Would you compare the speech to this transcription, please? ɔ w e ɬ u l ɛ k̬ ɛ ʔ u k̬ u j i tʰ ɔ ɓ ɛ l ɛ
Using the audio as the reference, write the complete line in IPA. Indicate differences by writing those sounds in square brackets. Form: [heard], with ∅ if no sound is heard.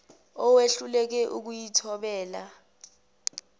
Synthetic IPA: ɔ w e ɬ u l ɛ k̬ ɛ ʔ u k̬ u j i tʰ ɔ ɓ [ɛː] l [a]